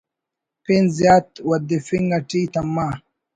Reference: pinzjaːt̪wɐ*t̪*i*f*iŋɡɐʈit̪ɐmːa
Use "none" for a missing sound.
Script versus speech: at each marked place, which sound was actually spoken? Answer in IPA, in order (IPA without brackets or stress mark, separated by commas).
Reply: d̪, f